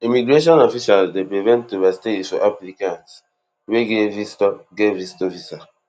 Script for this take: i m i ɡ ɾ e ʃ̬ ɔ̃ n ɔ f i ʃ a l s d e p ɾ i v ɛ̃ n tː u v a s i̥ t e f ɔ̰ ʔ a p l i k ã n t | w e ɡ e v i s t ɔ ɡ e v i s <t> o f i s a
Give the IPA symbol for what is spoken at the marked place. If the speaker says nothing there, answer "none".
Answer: t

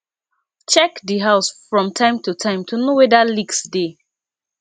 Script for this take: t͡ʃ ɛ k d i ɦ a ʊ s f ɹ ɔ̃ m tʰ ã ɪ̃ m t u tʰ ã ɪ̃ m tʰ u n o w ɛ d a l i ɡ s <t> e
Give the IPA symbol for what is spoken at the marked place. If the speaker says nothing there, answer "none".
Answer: d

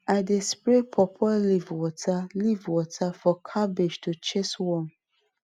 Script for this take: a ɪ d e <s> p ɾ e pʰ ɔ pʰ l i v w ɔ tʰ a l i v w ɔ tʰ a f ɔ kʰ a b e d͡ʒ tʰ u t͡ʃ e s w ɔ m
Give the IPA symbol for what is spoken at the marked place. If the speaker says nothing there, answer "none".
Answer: s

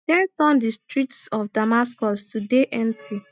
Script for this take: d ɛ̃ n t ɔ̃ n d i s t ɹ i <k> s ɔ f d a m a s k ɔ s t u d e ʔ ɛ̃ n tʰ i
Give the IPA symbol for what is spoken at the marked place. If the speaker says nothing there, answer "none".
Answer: t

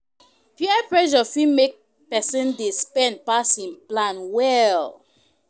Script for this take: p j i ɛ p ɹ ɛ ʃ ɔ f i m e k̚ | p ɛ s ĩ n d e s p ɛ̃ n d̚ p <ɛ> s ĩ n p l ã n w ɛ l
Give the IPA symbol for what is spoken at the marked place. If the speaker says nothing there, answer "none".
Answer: a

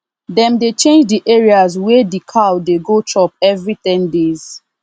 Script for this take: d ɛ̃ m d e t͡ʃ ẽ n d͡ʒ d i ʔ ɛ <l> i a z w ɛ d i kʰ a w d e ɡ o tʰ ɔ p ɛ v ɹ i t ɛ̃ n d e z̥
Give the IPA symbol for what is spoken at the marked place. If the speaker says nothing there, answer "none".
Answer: ɹ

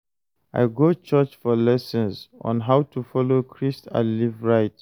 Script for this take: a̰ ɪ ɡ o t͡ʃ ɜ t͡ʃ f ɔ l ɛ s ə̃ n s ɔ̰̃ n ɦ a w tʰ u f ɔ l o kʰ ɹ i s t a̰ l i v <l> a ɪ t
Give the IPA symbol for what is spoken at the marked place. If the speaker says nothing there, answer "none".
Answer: ɹ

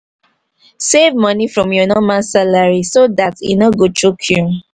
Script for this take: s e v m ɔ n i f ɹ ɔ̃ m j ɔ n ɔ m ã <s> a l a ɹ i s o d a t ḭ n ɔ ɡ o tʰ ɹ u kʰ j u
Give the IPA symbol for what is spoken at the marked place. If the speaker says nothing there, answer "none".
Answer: s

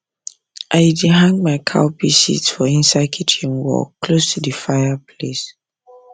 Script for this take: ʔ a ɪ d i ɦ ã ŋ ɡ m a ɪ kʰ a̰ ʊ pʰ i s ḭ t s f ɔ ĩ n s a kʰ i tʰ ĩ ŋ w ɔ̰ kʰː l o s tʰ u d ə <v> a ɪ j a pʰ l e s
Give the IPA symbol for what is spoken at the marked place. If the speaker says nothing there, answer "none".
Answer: f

